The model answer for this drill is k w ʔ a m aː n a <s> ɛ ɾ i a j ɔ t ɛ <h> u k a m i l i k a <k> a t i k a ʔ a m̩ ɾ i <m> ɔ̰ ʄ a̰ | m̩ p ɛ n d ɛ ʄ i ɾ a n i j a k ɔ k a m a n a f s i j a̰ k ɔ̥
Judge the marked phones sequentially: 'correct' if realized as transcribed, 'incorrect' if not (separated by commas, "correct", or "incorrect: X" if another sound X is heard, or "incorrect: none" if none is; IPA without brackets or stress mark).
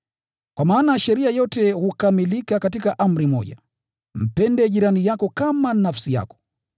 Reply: incorrect: ʃ, correct, correct, correct